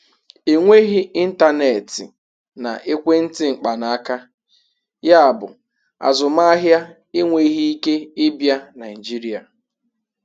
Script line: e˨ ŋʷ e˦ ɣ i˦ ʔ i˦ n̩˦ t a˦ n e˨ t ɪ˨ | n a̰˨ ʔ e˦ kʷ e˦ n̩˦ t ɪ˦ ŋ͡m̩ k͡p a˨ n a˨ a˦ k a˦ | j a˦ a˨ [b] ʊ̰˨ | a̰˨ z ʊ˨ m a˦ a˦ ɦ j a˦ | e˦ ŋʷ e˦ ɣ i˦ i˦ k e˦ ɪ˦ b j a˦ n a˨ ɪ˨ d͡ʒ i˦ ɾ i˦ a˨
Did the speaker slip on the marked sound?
no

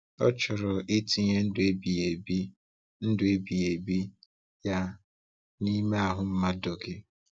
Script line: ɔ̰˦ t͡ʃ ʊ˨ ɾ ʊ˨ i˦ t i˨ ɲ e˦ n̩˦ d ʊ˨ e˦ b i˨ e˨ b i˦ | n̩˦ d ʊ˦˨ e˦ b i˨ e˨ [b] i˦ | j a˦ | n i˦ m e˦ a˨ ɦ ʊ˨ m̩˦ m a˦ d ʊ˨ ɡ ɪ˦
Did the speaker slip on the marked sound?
no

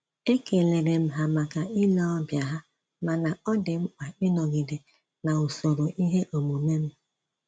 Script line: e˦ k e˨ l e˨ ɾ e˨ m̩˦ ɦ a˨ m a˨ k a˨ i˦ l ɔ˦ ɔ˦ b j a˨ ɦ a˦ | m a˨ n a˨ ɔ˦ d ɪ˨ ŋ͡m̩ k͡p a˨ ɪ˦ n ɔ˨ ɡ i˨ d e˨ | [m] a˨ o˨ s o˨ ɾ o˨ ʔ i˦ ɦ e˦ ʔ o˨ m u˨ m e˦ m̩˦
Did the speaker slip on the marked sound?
yes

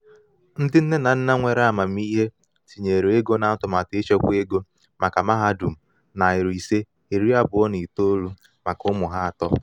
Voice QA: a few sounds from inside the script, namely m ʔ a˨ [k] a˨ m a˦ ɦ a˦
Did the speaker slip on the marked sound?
no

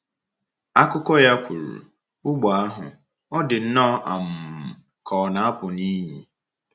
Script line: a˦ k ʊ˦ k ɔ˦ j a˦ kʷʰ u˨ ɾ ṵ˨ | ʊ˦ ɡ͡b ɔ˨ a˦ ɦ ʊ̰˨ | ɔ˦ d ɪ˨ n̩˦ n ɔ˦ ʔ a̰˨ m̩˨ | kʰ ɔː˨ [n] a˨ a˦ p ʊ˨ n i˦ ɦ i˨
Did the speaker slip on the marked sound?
no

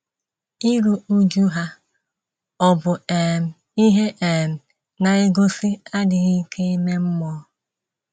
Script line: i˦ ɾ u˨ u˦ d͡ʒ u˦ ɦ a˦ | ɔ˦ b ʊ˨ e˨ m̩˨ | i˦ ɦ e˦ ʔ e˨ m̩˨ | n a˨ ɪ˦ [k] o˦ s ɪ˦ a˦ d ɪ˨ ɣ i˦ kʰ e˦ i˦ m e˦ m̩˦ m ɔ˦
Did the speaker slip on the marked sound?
yes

